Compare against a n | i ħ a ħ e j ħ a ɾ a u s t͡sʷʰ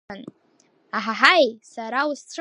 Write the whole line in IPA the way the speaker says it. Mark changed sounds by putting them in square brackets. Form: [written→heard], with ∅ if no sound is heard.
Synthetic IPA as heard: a n | [i→a] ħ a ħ [e→a] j [ħ→s] a ɾ a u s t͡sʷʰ